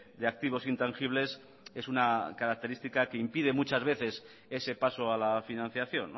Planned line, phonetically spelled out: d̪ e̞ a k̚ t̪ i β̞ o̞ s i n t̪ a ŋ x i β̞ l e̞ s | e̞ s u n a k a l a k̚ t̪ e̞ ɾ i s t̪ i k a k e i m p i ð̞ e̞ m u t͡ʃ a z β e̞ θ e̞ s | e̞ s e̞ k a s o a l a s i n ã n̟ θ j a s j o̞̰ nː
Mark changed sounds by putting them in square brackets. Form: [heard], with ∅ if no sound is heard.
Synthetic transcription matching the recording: d̪ e̞ a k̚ t̪ i β̞ o̞ s i n t̪ a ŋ x i β̞ l e̞ s | e̞ s u n a k a [ɾ] a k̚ t̪ e̞ ɾ i s t̪ i k a k e i m p i ð̞ e̞ m u t͡ʃ a z β e̞ θ e̞ s | e̞ s e̞ [p] a s o a l a [f] i n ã n̟ θ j a [θ] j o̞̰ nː